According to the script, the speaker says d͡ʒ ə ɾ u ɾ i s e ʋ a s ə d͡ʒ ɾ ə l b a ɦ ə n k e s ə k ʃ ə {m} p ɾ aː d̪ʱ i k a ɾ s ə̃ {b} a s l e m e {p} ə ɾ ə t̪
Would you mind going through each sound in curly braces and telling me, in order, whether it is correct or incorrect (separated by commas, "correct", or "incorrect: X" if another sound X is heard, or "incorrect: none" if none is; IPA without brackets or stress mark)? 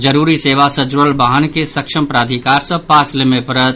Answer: correct, incorrect: p, correct